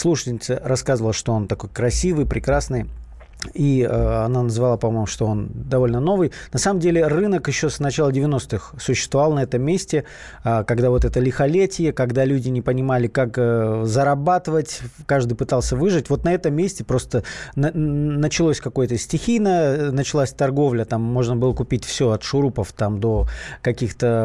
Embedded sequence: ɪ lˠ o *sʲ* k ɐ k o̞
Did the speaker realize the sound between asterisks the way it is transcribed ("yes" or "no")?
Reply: yes